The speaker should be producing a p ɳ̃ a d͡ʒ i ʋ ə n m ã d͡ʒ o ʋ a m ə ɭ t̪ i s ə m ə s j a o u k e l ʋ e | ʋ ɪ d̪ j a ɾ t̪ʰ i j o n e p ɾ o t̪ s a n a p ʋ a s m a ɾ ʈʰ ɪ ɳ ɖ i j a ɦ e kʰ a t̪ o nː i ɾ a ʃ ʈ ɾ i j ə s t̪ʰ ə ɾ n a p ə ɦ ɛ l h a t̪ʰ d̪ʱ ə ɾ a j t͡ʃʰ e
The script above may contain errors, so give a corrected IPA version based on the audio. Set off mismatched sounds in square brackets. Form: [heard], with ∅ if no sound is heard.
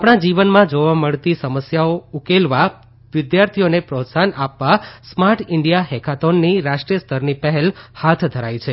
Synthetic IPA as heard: a p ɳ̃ a d͡ʒ i ʋ ə n m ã d͡ʒ o ʋ a m ə ɭ t̪ i s ə m ə s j a o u k e l ʋ [a] | ʋ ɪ d̪ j a ɾ t̪ʰ i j o n e p ɾ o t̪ s a n a p ʋ a s m a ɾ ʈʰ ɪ ɳ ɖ i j a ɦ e kʰ a t̪ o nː i ɾ a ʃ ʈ ɾ i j ə s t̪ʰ ə ɾ n [i] p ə ɦ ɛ l h a t̪ʰ d̪ʱ ə ɾ a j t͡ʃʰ e

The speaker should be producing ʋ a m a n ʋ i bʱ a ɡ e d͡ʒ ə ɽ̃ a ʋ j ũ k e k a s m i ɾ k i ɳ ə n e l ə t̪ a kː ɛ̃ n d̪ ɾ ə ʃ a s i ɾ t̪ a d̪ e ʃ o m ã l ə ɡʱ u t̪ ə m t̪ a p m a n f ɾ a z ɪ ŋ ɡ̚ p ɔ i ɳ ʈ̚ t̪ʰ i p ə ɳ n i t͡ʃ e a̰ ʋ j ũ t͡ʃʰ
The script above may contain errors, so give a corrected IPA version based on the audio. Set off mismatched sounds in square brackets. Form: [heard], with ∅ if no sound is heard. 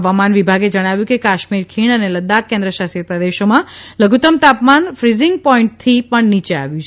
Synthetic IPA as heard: ʋ a m a n ʋ i bʱ a ɡ e d͡ʒ ə ɽ̃ a ʋ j ũ k e k a [ʃ] m i ɾ [kʰ] i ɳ ə n e l ə [d̪] a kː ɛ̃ n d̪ ɾ ə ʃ a s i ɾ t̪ a d̪ e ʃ o m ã l ə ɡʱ u t̪ ə m t̪ a p m a n f ɾ [i] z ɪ ŋ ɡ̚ p ɔ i ɳ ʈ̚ t̪ʰ i p ə ɳ n i t͡ʃ e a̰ ʋ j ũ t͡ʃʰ

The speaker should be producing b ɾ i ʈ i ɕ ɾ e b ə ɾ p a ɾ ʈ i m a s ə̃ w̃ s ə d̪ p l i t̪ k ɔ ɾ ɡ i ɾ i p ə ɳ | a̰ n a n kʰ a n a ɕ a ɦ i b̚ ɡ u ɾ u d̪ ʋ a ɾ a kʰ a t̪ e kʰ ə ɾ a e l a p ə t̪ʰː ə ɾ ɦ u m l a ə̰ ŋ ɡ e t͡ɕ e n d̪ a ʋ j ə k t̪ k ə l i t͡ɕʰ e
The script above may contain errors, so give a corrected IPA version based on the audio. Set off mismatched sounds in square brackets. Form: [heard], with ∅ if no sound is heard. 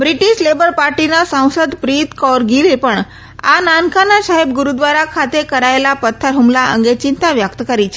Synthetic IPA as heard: b ɾ i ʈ i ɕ [l] e b ə ɾ p a ɾ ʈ i [n] a s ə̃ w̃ s ə d̪ p [ɾ] i t̪ k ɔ ɾ ɡ i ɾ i p ə ɳ | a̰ n a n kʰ a n a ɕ a ɦ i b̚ ɡ u ɾ u d̪ ʋ a ɾ a kʰ a t̪ e [k] ə ɾ a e l a p ə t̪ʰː ə ɾ ɦ u m l a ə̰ ŋ ɡ e t͡ɕ [i] n [t̪] a ʋ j ə k t̪ k ə [ɾ] i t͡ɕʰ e

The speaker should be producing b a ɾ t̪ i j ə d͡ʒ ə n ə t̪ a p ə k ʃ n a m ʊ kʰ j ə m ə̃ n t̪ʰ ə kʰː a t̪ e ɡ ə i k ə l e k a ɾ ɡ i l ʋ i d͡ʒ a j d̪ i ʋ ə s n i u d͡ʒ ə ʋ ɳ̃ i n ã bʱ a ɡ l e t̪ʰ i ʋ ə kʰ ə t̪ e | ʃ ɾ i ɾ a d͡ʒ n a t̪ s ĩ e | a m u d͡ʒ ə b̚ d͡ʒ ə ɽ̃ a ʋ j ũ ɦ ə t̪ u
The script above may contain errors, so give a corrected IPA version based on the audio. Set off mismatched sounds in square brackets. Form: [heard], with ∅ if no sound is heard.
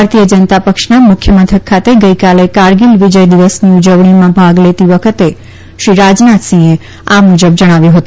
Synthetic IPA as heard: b a ɾ t̪ i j ə d͡ʒ ə n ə t̪ a p ə k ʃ n a m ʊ kʰ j ə m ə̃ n t̪ʰ ə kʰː a t̪ e ɡ ə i k [a] l e k a ɾ ɡ i l ʋ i d͡ʒ [ə] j d̪ i ʋ ə s n i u d͡ʒ ə ʋ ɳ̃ i [m] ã bʱ a ɡ l e [t̪] i ʋ ə kʰ ə t̪ e | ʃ ɾ i ɾ a d͡ʒ n a t̪ s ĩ e | a m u d͡ʒ ə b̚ d͡ʒ ə ɽ̃ a ʋ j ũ ɦ ə t̪ u

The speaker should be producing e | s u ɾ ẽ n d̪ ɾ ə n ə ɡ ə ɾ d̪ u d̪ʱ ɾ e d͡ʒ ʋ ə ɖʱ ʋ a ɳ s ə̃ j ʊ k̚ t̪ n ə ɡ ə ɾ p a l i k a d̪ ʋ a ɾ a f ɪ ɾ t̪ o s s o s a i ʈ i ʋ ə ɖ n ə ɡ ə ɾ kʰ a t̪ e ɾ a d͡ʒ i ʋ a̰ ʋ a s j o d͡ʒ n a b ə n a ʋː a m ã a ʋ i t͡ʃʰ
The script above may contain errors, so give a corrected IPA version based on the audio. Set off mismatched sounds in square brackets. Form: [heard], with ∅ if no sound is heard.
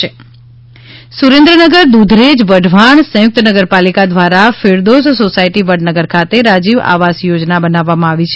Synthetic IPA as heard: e | s u ɾ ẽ n d̪ ɾ ə n ə ɡ ə ɾ d̪ u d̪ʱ ɾ e d͡ʒ ʋ ə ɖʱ ʋ a ɳ s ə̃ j ʊ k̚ t̪ n ə ɡ ə ɾ p a l i k a d̪ ʋ a ɾ a f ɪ ɾ [d̪] o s s o s a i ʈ i ʋ ə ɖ n ə ɡ ə ɾ kʰ a t̪ e ɾ a d͡ʒ i ʋ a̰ ʋ a s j o d͡ʒ n a b ə n a ʋː a m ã a ʋ i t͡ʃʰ

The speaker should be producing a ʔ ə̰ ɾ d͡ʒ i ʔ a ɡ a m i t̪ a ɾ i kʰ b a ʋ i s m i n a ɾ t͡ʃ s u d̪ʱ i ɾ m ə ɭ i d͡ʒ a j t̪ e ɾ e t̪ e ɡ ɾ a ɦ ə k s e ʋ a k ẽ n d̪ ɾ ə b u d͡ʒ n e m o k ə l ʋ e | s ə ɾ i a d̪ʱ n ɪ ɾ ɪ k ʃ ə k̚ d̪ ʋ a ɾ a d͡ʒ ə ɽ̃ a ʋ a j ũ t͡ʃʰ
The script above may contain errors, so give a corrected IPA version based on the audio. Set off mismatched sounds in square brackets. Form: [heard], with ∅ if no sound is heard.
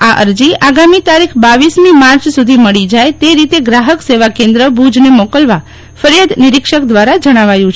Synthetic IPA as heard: a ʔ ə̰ ɾ d͡ʒ i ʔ a ɡ a m i t̪ a ɾ i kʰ b a ʋ i s m i [m] a ɾ t͡ʃ s u d̪ʱ i [∅] m ə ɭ i d͡ʒ a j t̪ e ɾ [i] t̪ e ɡ ɾ a ɦ ə k s e ʋ a k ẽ n d̪ ɾ ə b u d͡ʒ n e m o k ə l ʋ [a] | [f] ə ɾ [j] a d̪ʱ n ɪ ɾ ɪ k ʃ ə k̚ d̪ ʋ a ɾ a d͡ʒ ə ɽ̃ a ʋ a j ũ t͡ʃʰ

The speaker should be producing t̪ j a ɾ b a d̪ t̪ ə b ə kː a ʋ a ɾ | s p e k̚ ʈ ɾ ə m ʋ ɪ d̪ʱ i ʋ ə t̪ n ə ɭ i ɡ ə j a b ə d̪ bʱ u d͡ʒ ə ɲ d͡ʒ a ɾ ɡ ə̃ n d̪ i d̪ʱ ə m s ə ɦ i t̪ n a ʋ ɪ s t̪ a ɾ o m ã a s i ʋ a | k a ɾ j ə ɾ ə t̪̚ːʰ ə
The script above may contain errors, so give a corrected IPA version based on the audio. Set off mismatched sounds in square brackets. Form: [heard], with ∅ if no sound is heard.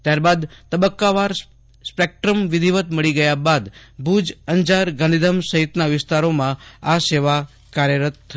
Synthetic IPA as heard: t̪ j a ɾ b a d̪ t̪ ə b ə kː a ʋ a ɾ | s p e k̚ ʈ ɾ ə m ʋ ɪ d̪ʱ i ʋ ə t̪ [m] ə ɭ i ɡ ə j a b [a] d̪ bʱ u d͡ʒ ə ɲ d͡ʒ a ɾ ɡ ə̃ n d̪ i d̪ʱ ə m s ə ɦ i t̪ n a ʋ ɪ s t̪ a ɾ o m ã a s [e] ʋ a | k a ɾ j ə ɾ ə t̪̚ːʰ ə

